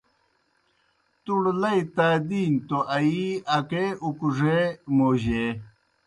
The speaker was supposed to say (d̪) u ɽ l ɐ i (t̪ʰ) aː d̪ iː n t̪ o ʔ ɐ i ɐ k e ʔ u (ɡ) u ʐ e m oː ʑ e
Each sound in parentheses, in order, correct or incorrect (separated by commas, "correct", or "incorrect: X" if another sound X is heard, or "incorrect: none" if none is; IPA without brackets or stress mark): incorrect: t̪, incorrect: t̪, incorrect: k